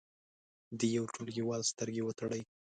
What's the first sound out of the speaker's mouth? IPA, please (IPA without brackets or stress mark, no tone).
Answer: d̪